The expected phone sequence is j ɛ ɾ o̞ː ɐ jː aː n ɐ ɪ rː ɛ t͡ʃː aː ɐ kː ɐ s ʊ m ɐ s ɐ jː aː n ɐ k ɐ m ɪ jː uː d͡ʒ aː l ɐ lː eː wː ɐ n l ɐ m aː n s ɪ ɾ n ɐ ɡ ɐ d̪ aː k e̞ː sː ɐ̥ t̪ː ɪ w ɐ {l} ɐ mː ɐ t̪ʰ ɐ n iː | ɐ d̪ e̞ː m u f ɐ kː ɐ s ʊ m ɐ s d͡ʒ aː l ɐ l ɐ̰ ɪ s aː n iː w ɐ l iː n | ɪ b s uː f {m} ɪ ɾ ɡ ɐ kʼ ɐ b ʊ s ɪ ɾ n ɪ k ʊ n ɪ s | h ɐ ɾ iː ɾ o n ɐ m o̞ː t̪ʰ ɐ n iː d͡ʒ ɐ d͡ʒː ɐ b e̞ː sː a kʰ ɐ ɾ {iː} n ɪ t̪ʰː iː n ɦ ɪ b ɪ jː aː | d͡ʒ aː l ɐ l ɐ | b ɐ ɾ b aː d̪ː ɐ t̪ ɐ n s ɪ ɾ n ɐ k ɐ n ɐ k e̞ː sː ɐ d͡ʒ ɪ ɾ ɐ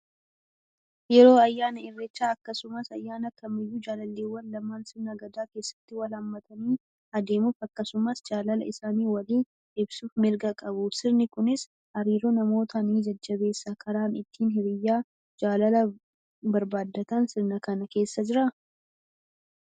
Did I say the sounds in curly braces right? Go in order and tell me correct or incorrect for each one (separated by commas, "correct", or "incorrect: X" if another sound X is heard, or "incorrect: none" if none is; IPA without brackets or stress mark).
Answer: correct, correct, incorrect: aː